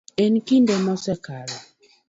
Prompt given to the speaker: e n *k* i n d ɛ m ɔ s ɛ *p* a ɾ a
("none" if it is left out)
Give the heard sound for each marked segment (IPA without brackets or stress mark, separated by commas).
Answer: k, k